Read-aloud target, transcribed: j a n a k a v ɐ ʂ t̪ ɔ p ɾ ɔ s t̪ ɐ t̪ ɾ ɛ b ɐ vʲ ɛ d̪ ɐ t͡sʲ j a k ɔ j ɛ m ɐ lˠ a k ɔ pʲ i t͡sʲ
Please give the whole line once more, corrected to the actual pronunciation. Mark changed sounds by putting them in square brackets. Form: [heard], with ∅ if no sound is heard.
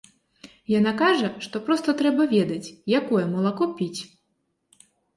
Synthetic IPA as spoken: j a n a k a [ʐ] ɐ ʂ t̪ ɔ p ɾ ɔ s t̪ ɐ t̪ ɾ ɛ b ɐ vʲ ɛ d̪ ɐ t͡sʲ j a k ɔ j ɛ m ɐ lˠ a k ɔ pʲ i t͡sʲ